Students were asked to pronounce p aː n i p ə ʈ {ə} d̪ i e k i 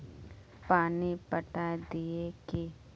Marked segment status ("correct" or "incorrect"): incorrect